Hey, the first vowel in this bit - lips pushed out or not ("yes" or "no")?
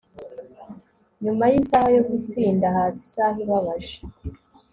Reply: yes